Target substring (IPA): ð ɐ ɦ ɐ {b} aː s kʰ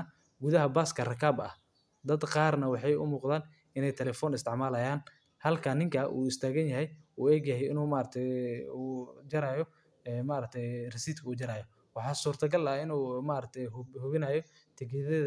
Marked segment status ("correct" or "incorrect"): correct